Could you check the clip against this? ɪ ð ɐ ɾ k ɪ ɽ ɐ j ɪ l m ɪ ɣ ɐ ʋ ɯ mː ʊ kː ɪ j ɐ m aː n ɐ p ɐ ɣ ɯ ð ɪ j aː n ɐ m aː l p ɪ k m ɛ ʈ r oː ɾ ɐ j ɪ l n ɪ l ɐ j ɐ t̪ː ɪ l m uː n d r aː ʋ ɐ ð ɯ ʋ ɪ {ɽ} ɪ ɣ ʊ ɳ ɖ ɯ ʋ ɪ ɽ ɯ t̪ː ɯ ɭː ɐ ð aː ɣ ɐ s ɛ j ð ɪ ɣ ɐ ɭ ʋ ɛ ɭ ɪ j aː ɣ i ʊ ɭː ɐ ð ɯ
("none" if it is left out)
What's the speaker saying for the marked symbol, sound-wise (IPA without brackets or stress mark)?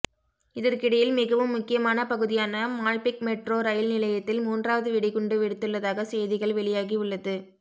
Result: ɽ